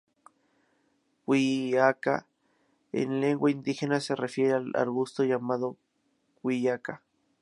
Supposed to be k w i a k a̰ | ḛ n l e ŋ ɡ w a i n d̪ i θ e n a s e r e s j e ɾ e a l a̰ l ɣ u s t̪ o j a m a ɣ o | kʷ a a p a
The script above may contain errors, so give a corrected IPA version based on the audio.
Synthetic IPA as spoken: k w i a k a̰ | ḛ n l e ŋ ɡ w a i n d̪ i x e n a s e r e f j e ɾ e a l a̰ ɾ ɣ u s t̪ o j a m a ð o | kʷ i a k a